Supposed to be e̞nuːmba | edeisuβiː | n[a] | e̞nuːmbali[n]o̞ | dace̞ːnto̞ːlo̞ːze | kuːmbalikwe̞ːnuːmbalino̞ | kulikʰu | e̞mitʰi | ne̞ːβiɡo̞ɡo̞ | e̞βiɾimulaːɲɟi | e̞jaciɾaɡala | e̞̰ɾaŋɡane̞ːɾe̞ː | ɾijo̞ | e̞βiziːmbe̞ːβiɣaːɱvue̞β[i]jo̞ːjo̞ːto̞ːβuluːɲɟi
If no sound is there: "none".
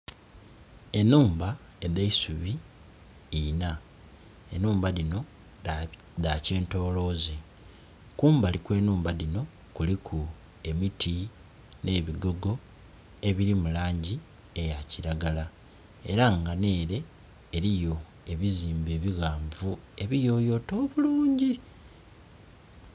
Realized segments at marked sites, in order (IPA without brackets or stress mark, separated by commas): a, n, i